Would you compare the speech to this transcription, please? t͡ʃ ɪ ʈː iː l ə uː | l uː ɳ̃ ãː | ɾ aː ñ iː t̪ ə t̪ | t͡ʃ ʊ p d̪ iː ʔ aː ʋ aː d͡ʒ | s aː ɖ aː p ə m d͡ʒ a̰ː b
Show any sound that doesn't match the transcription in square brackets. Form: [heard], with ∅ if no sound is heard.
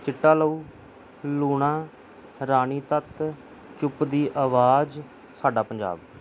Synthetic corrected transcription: t͡ʃ ɪ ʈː [aː] l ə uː | l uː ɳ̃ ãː | ɾ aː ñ iː t̪ ə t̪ | t͡ʃ ʊ p d̪ iː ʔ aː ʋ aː d͡ʒ | s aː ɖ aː p ə [ɲ] d͡ʒ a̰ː b